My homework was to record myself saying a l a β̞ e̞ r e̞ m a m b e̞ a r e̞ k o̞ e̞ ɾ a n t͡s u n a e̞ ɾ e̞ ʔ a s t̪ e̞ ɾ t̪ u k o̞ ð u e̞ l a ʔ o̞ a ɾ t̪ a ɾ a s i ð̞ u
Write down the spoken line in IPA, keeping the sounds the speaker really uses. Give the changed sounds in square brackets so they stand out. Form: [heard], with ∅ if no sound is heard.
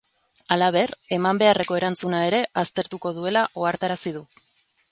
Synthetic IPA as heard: a l a β̞ e̞ r e̞ m a m b e̞ a r e̞ k o̞ e̞ ɾ a n t͡s u n a e̞ ɾ e̞ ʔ a s t̪ e̞ ɾ t̪ u k o̞ ð u e̞ l a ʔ o̞ a ɾ t̪ a ɾ a s i ð̞ u